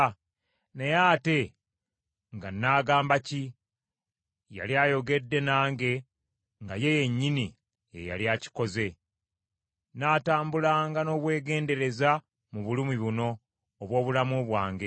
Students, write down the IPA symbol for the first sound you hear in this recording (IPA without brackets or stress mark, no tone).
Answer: n